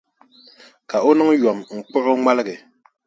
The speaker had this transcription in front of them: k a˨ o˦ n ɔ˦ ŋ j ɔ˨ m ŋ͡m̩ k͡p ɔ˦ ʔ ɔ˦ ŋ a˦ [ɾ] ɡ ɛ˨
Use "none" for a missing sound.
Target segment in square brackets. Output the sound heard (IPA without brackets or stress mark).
l